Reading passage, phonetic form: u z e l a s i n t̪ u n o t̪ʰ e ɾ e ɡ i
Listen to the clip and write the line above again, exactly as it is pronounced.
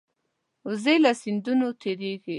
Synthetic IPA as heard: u z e l a s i n d̪ u n o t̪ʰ e ɾ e ɡ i

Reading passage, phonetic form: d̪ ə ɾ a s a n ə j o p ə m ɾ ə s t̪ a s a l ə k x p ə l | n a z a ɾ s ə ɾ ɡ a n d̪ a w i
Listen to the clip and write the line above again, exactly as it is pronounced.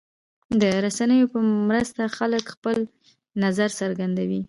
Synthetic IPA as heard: d̪ ə ɾ a s a n ə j o p ə m ɾ ə s t̪ a x a l ə k x p ə l | n a z a ɾ s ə ɾ ɡ a n d̪ a w i

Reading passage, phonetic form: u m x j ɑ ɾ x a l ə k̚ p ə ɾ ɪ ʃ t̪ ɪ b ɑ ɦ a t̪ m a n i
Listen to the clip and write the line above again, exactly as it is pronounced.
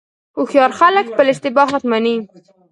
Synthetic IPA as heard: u x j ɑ ɾ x a l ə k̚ p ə l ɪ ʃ t̪ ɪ b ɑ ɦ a t̪ m a n i

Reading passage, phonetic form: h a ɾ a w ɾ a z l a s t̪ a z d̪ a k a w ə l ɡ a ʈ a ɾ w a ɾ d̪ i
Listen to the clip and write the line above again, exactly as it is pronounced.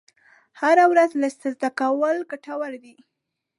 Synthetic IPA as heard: h a ɾ a w ɾ a z l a s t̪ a z d̪ a k a w ə l ɡ a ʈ a w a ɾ d̪ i

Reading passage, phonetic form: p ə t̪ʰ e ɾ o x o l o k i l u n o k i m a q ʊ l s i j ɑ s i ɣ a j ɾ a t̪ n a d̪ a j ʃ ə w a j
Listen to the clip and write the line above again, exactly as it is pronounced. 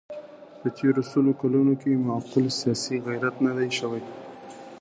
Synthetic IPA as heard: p ə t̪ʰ e ɾ o s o l o k a l u n o k e m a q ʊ l s i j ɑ s i ɣ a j ɾ a t̪ n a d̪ a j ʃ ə w a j

